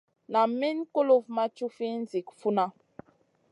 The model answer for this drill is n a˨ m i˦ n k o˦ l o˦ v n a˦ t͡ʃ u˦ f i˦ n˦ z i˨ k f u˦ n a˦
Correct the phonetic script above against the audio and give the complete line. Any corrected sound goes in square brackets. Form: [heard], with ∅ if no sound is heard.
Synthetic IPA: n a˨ m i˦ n k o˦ l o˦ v [m] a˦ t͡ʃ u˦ f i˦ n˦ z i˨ k f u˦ n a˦